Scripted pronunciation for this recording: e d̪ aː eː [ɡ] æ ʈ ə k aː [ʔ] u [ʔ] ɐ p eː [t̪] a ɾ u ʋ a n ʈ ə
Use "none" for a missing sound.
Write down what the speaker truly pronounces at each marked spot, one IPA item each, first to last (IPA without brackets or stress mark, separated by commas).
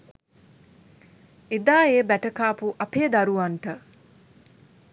b, p, ʔ, d̪